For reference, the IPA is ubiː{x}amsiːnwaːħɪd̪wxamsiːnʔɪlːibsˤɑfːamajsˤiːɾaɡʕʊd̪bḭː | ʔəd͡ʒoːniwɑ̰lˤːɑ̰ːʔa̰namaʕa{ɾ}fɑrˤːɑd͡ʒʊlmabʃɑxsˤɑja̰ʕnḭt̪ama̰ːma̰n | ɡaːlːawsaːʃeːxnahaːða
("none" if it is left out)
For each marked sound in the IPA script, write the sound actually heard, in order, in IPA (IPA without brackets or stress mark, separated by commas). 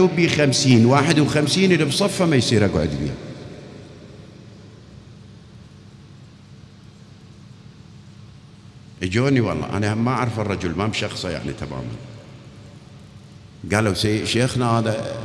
x, ɾ